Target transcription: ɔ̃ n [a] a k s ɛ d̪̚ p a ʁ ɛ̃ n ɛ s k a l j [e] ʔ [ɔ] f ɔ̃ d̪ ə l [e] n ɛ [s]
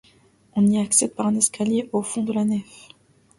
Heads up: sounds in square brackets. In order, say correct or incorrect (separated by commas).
incorrect, correct, incorrect, incorrect, incorrect